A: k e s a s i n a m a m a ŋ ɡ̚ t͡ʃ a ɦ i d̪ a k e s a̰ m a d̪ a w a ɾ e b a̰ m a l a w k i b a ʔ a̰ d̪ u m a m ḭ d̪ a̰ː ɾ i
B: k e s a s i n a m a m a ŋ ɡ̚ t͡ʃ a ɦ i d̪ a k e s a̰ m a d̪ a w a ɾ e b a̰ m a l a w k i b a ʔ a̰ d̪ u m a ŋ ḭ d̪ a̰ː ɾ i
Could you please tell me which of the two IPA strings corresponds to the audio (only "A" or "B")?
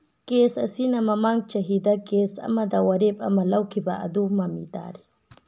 A